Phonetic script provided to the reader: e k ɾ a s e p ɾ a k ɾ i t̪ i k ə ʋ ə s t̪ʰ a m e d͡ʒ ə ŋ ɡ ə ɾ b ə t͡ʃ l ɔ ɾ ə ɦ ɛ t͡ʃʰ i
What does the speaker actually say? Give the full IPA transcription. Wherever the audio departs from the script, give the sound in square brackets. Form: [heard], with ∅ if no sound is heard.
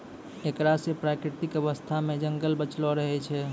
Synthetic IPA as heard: e k ɾ a s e p ɾ a k ɾ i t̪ i k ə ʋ ə s t̪ʰ a m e d͡ʒ ə ŋ ɡ ə [l] b ə t͡ʃ l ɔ ɾ ə ɦ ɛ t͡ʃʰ [ɛ]